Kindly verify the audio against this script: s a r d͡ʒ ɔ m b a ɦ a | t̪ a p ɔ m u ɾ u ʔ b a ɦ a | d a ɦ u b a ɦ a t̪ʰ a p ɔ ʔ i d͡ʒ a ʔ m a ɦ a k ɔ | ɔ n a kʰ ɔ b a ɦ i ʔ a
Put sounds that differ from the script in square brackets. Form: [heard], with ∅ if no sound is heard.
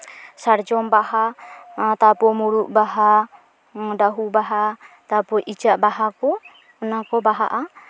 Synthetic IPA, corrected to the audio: s a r d͡ʒ ɔ m b a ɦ a | t̪ a p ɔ m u ɾ u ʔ b a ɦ a | d a ɦ u b a ɦ a [t̪] a p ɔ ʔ i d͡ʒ a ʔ [b] a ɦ a k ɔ | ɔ n a [k] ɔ b a ɦ [a] ʔ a